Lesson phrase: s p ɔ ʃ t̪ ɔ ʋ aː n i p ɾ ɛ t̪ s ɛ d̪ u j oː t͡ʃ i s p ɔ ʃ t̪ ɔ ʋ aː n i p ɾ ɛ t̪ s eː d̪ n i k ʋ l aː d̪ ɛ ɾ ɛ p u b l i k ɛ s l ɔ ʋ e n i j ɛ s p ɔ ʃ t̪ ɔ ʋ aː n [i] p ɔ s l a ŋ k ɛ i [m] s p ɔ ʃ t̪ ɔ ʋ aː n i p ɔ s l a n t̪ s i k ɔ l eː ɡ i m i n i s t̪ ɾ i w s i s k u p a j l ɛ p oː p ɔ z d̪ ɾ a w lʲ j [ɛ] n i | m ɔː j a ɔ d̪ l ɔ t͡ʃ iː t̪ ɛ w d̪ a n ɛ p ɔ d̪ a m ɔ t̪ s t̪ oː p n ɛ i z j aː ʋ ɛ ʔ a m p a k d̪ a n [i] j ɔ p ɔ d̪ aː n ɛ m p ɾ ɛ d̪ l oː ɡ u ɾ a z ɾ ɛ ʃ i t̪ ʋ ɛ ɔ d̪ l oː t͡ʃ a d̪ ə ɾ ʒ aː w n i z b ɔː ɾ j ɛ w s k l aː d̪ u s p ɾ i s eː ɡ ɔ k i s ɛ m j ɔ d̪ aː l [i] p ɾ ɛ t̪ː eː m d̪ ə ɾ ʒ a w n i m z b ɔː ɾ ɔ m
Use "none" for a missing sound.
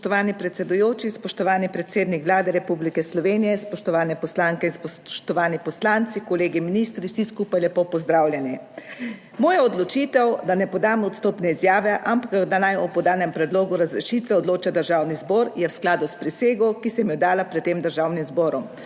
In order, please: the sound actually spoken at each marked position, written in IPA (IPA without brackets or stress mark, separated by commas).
ɛ, n, ɛ, a, a